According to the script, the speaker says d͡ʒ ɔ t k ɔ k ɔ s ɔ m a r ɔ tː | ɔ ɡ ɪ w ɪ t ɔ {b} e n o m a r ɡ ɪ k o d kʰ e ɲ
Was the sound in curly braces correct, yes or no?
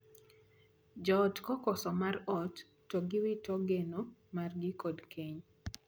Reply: no